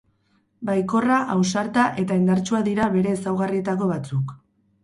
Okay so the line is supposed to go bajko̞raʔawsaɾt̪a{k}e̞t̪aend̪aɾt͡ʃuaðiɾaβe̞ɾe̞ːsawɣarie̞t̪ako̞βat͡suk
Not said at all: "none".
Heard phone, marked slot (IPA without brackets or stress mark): ʔ